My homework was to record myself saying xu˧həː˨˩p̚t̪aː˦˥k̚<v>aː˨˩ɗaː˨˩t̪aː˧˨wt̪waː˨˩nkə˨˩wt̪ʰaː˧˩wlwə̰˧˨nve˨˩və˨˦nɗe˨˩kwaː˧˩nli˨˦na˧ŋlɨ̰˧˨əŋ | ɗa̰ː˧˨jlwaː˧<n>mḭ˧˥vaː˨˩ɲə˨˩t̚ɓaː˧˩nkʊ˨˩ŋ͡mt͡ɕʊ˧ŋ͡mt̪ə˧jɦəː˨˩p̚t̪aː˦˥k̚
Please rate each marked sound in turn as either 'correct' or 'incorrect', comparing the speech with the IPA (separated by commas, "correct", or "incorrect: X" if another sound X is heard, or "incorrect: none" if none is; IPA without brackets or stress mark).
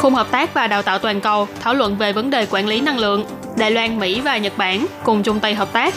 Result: correct, correct